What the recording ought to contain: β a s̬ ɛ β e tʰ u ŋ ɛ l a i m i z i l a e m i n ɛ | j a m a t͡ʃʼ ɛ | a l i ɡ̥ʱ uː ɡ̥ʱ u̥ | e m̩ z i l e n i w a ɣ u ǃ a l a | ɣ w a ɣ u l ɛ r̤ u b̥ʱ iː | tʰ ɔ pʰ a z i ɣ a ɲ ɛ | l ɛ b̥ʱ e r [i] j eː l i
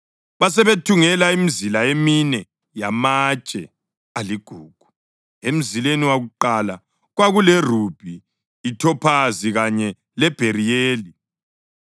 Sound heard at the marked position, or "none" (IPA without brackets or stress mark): i